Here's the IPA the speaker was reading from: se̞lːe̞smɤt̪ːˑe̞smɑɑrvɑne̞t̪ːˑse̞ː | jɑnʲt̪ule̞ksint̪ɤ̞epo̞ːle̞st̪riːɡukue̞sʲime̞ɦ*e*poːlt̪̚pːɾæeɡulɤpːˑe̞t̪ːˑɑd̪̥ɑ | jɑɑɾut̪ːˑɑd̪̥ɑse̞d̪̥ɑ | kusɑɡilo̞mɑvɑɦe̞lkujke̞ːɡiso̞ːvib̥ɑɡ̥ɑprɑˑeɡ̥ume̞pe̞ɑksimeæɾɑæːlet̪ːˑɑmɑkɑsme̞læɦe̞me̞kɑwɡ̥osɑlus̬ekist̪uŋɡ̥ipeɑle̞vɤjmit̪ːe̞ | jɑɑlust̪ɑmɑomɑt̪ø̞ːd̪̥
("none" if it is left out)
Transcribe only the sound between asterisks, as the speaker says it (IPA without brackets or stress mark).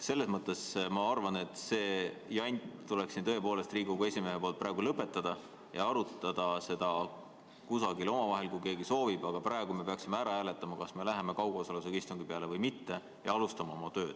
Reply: e